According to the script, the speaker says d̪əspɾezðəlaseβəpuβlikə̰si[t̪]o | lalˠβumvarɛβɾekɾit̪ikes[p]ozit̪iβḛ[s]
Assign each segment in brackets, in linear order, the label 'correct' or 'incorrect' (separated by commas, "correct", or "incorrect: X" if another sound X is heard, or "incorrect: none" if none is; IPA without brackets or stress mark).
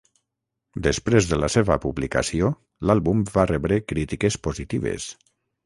incorrect: none, correct, correct